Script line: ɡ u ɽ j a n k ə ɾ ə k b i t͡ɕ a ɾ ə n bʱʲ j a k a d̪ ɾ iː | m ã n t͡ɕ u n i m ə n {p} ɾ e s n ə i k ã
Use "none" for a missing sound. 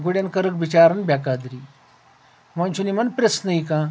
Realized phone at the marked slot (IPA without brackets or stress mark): p